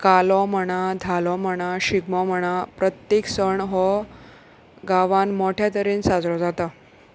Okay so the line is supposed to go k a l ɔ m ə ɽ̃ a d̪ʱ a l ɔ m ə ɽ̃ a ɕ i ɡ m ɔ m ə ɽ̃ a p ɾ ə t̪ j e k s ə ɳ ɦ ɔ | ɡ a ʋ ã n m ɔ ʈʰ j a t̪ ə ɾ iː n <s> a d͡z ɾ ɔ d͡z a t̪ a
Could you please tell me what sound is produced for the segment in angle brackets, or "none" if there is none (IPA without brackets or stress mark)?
s